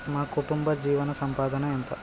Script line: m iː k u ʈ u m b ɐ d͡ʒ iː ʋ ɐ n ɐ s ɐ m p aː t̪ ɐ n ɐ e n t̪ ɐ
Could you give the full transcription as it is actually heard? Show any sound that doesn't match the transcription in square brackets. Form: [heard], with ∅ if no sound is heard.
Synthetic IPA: m [aː] k u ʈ u m b ɐ d͡ʒ iː ʋ ɐ n ɐ s ɐ m p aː [d̪] ɐ n ɐ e n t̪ ɐ

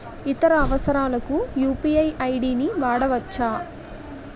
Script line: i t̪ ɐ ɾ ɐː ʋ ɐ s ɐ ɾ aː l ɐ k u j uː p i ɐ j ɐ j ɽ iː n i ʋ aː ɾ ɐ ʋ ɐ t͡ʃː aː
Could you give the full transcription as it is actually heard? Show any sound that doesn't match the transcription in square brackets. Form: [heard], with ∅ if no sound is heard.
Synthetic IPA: i t̪ ɐ ɾ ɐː ʋ ɐ s ɐ ɾ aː l ɐ k u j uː p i ɐ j ɐ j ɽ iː n i ʋ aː [ɽ] ɐ ʋ ɐ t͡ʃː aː

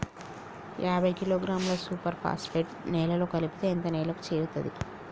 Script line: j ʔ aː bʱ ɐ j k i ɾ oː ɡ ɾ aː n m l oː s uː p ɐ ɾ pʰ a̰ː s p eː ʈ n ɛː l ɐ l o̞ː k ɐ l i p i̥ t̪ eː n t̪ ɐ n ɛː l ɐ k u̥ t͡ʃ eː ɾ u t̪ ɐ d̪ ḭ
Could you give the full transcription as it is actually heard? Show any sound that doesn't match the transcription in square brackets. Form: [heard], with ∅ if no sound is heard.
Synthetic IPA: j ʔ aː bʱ ɐ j k i [l] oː ɡ ɾ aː [∅] m l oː s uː p ɐ ɾ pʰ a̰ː s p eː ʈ n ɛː l ɐ l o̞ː k ɐ l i p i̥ t̪ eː n t̪ ɐ n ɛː l ɐ k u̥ t͡ʃ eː ɾ u t̪ ɐ d̪ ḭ

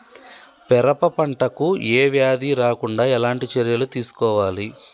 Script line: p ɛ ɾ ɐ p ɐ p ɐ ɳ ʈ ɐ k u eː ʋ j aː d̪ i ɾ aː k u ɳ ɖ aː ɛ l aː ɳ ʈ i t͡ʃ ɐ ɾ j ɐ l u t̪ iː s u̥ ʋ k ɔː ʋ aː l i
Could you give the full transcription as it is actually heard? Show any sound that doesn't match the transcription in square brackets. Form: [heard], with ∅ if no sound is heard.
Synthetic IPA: p ɛ ɾ ɐ p ɐ p ɐ ɳ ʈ ɐ k u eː ʋ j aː d̪ i ɾ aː k u ɳ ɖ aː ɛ l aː ɳ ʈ i t͡ʃ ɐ ɾ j ɐ l u t̪ iː s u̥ [∅] k ɔː ʋ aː l i

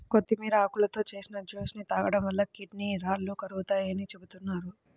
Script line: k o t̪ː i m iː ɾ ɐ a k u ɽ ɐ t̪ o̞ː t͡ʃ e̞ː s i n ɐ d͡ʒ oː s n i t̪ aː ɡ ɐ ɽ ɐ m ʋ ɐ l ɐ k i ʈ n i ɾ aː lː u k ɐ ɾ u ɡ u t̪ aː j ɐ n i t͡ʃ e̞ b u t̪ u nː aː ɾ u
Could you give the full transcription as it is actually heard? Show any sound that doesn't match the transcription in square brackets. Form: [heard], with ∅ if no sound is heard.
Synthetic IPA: k o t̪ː i m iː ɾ ɐ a k u [l] ɐ t̪ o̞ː t͡ʃ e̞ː s i n ɐ d͡ʒ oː s n i t̪ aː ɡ ɐ ɽ ɐ m ʋ ɐ [lː] ɐ k i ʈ n i ɾ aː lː u k ɐ ɾ u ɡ u t̪ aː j ɐ n i t͡ʃ e̞ b u t̪ u nː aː ɾ u

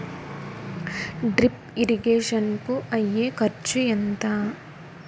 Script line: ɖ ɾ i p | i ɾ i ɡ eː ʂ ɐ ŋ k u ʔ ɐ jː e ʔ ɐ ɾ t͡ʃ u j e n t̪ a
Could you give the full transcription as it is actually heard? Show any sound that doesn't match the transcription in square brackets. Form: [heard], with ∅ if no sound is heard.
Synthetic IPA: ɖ ɾ i p | i ɾ i ɡ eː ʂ ɐ [n] k u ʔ ɐ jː e [k] ɐ ɾ t͡ʃ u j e n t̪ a

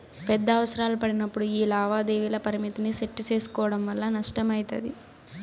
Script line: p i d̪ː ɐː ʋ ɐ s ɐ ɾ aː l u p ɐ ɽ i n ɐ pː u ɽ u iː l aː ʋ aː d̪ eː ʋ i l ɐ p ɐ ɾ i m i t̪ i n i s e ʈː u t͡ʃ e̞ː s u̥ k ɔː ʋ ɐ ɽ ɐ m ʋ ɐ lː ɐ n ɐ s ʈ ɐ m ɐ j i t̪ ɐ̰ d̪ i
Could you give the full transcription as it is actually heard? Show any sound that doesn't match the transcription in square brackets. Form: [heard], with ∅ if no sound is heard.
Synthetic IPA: p [ɛ] d̪ː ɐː ʋ ɐ s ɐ ɾ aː l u p ɐ ɽ i n ɐ pː u ɽ u iː l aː ʋ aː d̪ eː ʋ i l ɐ p ɐ ɾ i m i t̪ i n i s e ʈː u t͡ʃ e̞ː s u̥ k ɔː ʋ ɐ ɽ ɐ m ʋ ɐ lː ɐ n ɐ [ʂ] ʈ ɐ m ɐ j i t̪ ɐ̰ d̪ i

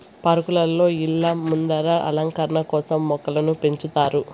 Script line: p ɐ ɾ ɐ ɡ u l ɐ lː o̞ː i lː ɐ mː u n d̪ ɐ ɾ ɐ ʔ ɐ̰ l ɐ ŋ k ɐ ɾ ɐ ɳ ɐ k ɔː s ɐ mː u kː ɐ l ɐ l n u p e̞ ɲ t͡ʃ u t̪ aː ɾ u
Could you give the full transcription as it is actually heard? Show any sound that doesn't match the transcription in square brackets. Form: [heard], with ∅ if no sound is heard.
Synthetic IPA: p ɐ ɾ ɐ [k] u l ɐ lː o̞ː i lː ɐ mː u n d̪ ɐ ɾ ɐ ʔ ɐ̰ l ɐ ŋ k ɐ ɾ ɐ ɳ ɐ k ɔː s ɐ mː [ɔ] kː ɐ l ɐ [∅] n u p e̞ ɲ t͡ʃ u t̪ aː ɾ u

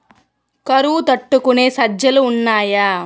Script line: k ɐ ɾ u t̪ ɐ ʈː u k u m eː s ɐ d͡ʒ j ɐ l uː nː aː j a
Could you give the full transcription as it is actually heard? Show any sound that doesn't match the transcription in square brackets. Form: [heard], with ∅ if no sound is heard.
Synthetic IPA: k ɐ ɾ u t̪ ɐ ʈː u k u [n] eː s ɐ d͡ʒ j ɐ l uː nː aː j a

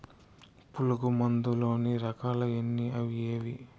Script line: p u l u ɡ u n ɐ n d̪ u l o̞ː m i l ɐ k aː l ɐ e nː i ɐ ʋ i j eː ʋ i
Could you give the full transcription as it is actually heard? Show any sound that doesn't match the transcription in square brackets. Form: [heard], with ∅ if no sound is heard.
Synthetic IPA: p u l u ɡ u [m] ɐ n d̪ u l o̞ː [n] i [ɾ] ɐ k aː l ɐ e nː i ɐ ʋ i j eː ʋ i

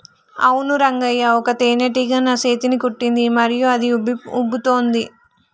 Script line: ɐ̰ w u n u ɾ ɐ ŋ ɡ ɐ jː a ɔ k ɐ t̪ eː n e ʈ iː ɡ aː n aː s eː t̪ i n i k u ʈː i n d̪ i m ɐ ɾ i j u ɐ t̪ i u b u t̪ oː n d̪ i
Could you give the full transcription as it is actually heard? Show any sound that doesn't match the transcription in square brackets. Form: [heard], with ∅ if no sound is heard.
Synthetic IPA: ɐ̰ w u n u ɾ ɐ ŋ ɡ ɐ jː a ɔ k ɐ t̪ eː n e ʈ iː ɡ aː n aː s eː t̪ i n i k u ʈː i n d̪ i m ɐ ɾ i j u ɐ [d̪] i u b u t̪ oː n d̪ i

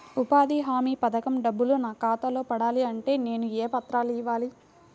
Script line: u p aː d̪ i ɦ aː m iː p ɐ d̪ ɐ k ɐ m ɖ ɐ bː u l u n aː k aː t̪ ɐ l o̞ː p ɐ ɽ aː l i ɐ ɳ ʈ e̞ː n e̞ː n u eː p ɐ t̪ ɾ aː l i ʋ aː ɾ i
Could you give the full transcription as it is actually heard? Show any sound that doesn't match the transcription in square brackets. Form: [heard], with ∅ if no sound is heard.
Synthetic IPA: u p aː d̪ i ɦ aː m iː p ɐ d̪ ɐ k ɐ m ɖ ɐ bː u l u n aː k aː t̪ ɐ l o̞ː p ɐ ɽ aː l i ɐ ɳ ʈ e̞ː n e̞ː n u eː p ɐ t̪ ɾ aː l i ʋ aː [l] i

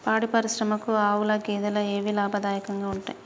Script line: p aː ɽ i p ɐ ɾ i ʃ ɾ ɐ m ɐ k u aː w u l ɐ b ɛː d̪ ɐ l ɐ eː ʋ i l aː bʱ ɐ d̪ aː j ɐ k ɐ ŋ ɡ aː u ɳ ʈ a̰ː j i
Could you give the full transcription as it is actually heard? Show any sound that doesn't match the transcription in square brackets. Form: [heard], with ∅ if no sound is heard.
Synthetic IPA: p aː ɽ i p ɐ ɾ i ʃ ɾ ɐ m ɐ k u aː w u l ɐ [ɡ] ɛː d̪ ɐ l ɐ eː ʋ i l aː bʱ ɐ d̪ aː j ɐ k ɐ ŋ ɡ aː u ɳ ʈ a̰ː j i

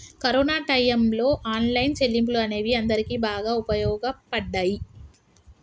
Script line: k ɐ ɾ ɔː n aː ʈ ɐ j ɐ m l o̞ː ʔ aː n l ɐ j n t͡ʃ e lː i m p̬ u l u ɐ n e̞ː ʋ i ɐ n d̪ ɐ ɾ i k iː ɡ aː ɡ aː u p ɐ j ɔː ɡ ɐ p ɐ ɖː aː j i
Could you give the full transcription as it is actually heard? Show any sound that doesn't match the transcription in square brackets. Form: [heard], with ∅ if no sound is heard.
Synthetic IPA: k ɐ ɾ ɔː n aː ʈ ɐ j ɐ m l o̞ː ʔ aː n l ɐ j n t͡ʃ e lː i m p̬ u l u ɐ n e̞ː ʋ i ɐ n d̪ ɐ ɾ i k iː [b] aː ɡ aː u p ɐ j ɔː ɡ ɐ p ɐ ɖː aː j i

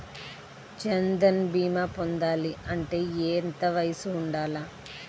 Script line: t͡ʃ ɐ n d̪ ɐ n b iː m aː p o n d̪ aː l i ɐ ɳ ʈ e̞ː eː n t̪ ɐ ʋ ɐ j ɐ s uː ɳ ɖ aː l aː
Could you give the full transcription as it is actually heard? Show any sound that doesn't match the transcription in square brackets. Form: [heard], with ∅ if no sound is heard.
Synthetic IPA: t͡ʃ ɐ n d̪ ɐ n b iː m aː p o n d̪ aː l i ɐ ɳ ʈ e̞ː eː n t̪ ɐ ʋ ɐ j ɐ s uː ɳ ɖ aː l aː

